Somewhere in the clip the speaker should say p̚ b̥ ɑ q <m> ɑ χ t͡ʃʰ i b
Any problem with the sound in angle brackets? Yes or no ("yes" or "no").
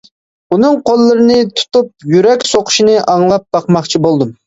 no